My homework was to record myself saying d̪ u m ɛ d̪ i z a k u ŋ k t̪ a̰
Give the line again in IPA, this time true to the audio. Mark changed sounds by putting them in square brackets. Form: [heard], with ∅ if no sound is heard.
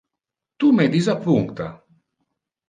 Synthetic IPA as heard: [t̪] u m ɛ d̪ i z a [p] u ŋ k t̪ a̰